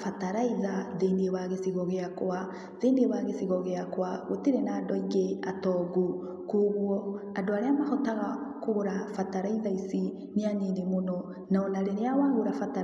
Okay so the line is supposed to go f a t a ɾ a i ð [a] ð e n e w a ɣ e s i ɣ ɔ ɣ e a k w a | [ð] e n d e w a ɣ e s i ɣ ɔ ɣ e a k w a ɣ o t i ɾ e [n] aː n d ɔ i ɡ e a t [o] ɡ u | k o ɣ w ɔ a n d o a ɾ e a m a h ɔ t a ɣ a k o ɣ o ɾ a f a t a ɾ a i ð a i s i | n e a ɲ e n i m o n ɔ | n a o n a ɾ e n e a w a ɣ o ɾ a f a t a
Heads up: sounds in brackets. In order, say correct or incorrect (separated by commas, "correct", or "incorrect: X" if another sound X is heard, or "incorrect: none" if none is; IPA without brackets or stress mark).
correct, correct, correct, incorrect: ɔ